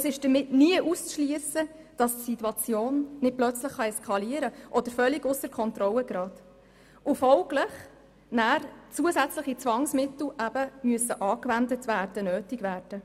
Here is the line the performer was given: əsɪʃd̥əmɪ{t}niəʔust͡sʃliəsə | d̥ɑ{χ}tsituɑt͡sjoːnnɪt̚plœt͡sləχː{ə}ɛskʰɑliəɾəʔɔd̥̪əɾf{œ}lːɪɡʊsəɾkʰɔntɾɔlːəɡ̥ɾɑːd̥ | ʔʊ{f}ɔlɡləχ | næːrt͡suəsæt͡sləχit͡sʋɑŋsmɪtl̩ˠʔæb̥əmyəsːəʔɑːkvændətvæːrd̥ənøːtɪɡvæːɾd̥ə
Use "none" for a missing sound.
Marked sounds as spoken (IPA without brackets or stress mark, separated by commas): t, s, ɑ, œ, f